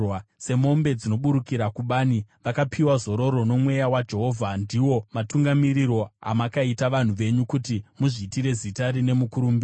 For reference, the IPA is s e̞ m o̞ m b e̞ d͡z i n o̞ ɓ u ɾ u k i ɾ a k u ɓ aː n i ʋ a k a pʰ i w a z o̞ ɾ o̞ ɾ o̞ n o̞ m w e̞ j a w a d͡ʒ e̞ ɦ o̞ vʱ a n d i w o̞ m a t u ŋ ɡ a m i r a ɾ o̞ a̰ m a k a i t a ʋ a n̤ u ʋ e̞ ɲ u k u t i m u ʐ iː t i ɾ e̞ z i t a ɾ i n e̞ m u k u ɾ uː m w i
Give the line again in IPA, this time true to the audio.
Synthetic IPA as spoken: s e̞ m o̞ m b e̞ d͡z i n o̞ ɓ u ɾ u k i ɾ a k u ɓ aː n i ʋ a k a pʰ i w a z o̞ ɾ o̞ ɾ o̞ n o̞ m w e̞ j a w a d͡ʒ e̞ ɦ o̞ vʱ a n d i w o̞ m a t u ŋ ɡ a m i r i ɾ o̞ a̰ m a k a i t a ʋ a n̤ u ʋ e̞ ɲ u k u t i m u ʐ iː t i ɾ e̞ z i t a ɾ i n e̞ m u k u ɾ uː m b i